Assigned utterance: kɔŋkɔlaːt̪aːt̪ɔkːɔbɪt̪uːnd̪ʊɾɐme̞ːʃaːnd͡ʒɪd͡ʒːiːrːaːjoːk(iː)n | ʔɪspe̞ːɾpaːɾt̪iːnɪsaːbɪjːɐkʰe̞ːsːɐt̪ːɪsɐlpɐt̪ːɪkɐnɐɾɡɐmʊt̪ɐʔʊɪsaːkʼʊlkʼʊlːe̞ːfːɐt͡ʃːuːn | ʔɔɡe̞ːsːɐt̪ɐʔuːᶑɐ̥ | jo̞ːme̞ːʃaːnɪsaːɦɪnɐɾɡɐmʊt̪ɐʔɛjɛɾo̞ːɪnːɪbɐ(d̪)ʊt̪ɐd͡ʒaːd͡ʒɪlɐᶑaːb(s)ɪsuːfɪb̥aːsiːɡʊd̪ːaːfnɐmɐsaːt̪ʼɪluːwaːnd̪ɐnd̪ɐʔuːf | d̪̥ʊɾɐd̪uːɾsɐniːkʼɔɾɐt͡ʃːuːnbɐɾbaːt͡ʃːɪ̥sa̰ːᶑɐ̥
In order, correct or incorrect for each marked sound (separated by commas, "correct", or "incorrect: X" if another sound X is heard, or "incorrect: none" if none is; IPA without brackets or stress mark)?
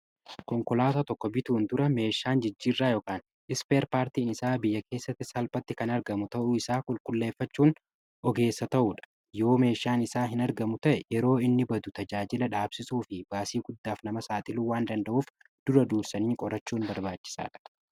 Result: incorrect: aː, correct, correct